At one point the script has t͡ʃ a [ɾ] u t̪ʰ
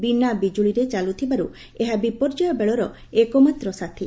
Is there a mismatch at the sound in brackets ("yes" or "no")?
yes